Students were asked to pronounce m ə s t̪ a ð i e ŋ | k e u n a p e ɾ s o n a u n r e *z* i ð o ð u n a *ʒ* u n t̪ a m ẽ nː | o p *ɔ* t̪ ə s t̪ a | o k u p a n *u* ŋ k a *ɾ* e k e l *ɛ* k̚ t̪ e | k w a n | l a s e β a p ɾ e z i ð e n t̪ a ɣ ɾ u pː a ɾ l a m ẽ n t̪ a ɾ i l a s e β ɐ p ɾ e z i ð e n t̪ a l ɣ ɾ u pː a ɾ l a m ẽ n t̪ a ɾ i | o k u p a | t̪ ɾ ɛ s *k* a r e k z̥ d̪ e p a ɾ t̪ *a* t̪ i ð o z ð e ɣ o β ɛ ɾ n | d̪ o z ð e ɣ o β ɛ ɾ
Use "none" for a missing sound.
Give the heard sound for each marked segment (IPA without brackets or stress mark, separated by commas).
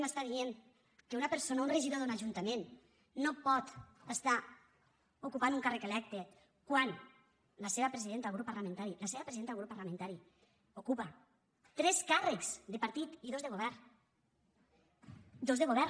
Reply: ʒ, ʒ, ɔ, u, r, ɛ, k, i